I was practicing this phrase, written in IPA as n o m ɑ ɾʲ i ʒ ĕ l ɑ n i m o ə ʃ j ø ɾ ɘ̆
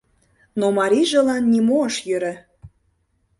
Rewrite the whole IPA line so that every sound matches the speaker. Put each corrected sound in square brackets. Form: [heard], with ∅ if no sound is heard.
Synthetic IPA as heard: n o m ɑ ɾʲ i ʒ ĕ l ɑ [nː] i m o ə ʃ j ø ɾ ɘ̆